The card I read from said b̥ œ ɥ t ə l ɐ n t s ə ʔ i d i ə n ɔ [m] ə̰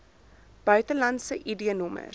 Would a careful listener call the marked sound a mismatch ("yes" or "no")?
no